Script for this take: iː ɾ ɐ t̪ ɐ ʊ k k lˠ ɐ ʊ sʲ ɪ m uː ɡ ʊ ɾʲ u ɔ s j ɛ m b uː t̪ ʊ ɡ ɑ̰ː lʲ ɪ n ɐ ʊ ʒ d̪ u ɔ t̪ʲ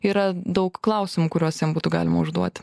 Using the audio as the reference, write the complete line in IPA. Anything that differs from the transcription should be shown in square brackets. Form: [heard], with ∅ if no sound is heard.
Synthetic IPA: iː ɾ ɐ [d̪] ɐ ʊ k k lˠ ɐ ʊ sʲ ɪ m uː [k] ʊ ɾʲ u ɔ s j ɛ m b uː t̪ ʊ ɡ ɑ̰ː lʲ ɪ [m] ɐ ʊ ʒ d̪ u ɔ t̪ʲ